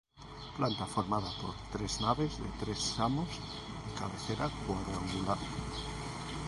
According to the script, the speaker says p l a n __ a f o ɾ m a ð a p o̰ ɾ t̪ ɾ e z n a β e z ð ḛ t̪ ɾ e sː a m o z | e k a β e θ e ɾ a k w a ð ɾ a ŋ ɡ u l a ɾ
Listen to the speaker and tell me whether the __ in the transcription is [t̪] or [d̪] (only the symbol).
t̪